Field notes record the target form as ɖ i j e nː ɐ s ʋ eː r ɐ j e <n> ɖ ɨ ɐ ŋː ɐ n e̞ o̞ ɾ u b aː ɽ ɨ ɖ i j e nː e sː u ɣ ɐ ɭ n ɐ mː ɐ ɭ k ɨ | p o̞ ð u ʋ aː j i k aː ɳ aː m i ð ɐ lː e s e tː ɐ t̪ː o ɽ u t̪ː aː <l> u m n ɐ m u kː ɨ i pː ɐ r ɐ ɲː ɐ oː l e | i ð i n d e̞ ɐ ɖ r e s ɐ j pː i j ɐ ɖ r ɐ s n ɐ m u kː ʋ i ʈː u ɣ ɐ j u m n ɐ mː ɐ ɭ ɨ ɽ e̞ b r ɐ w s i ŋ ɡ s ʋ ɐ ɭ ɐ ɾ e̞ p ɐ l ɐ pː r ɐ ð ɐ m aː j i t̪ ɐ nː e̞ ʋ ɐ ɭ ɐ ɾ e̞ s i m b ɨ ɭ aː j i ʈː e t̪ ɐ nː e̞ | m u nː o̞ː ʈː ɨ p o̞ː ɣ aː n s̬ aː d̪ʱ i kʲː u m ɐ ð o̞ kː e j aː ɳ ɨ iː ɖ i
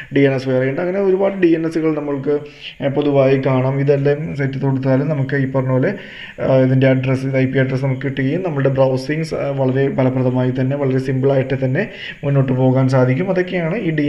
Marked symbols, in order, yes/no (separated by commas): no, yes